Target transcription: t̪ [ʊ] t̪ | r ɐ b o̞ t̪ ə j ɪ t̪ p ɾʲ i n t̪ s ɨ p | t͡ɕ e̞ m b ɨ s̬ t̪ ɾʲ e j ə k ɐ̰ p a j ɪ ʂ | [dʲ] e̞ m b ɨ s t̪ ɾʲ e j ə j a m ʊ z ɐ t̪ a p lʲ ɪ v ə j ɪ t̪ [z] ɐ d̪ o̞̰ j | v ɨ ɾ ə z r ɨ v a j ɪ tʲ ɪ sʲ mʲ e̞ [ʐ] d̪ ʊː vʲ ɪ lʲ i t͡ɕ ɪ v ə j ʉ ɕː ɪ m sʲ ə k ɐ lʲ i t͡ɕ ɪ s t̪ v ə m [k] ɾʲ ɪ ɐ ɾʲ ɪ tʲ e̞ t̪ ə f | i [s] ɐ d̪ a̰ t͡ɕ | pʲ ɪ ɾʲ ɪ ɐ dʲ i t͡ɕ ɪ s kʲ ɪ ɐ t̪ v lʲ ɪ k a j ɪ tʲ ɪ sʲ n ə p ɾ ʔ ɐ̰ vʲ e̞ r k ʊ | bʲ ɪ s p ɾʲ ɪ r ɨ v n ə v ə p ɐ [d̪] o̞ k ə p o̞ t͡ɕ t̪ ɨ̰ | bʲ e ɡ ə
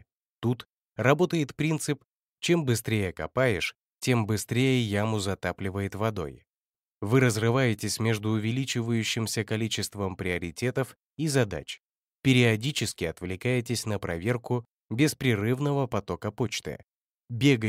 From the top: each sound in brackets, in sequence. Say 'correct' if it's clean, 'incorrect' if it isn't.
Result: incorrect: u, incorrect: tʲ, incorrect: v, correct, incorrect: p, incorrect: z, incorrect: t̪

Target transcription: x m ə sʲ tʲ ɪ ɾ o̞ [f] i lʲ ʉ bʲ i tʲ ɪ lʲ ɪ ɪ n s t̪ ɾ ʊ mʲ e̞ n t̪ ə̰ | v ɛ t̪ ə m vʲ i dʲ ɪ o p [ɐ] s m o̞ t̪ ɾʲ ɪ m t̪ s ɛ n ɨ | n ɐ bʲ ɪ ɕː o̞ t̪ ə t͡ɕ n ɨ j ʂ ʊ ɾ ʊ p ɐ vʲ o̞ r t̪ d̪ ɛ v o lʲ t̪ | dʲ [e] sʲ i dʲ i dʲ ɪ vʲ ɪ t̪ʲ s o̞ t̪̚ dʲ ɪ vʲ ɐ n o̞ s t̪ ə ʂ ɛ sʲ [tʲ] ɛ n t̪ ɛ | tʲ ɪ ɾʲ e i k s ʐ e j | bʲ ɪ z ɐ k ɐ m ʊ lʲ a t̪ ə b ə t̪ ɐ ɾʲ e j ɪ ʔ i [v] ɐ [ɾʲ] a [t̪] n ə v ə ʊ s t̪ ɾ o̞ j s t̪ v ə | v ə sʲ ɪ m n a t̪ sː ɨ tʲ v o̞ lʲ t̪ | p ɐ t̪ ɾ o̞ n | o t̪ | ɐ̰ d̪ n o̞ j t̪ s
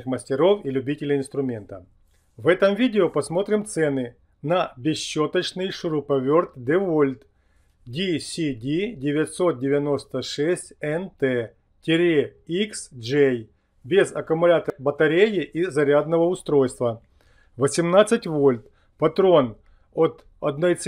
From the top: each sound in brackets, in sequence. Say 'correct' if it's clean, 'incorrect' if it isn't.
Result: correct, correct, incorrect: i, correct, incorrect: z, correct, incorrect: d̪

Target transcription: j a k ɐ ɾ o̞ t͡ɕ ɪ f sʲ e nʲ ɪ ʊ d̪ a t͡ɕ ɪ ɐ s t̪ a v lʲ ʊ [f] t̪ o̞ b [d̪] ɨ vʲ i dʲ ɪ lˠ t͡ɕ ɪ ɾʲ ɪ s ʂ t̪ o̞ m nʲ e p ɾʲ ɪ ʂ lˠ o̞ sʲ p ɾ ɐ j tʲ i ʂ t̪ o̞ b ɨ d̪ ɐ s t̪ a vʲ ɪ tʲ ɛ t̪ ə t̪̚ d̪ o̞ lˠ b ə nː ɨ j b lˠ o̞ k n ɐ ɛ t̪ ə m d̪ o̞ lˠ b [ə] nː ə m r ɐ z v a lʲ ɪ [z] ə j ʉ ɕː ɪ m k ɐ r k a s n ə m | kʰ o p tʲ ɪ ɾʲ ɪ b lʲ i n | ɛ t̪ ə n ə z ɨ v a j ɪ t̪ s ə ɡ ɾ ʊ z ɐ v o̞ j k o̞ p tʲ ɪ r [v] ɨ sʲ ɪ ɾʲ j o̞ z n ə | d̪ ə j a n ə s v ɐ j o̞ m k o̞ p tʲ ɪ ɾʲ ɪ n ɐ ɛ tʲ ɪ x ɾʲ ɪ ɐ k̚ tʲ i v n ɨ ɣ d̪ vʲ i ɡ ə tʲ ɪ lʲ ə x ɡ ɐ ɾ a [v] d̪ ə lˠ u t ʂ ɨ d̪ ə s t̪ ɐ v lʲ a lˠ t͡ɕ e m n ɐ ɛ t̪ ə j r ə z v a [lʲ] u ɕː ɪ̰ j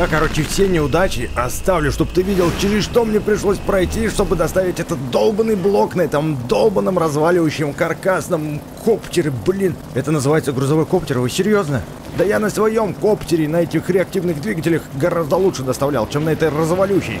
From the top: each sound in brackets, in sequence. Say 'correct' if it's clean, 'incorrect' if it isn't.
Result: incorrect: ʂ, incorrect: t̪, correct, incorrect: v, correct, incorrect: z, correct

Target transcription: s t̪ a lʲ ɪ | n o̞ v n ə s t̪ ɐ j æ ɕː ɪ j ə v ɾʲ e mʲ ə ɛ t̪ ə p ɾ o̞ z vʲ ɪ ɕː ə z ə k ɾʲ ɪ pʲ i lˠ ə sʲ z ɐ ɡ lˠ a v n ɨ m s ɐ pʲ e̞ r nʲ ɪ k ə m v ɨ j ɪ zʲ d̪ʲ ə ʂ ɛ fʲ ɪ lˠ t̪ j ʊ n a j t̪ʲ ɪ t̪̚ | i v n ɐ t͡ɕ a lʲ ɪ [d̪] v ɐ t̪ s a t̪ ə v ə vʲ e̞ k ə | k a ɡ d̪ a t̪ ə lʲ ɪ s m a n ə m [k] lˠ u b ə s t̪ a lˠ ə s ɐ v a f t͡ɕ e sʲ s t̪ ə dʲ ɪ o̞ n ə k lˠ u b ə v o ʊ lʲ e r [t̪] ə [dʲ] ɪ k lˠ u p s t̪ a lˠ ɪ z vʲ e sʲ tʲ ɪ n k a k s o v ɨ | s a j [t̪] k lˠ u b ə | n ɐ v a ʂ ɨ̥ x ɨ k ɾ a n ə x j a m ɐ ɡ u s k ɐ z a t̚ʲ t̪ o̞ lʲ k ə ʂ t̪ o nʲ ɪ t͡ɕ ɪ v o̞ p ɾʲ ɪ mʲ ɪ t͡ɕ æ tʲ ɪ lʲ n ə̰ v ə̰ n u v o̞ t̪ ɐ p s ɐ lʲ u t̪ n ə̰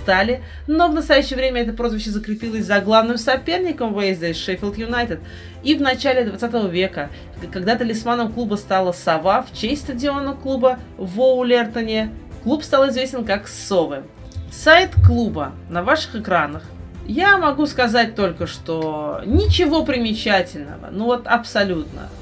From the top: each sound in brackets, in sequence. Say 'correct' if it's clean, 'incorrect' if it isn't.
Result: correct, correct, correct, incorrect: nʲ, correct

